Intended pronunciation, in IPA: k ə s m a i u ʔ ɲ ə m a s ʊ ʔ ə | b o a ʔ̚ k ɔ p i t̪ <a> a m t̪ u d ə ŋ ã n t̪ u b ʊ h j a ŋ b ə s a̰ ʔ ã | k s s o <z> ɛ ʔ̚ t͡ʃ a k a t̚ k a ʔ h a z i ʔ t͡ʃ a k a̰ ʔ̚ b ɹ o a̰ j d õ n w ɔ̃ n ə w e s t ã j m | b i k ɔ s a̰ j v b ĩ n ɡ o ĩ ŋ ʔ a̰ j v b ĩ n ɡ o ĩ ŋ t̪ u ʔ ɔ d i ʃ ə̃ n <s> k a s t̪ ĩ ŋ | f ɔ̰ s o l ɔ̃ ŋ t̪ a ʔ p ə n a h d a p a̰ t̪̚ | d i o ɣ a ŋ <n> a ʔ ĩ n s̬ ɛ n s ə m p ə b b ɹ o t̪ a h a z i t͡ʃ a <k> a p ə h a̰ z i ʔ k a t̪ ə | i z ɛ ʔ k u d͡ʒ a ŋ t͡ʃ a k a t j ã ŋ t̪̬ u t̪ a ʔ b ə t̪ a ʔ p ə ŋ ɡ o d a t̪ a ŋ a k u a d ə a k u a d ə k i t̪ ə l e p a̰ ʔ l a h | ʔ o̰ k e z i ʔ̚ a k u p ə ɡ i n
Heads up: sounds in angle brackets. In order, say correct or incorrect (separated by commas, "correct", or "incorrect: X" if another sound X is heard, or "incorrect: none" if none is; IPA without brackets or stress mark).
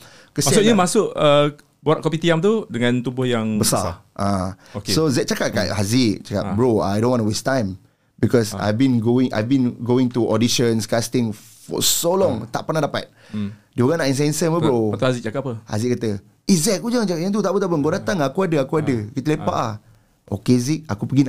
incorrect: i, correct, correct, correct, correct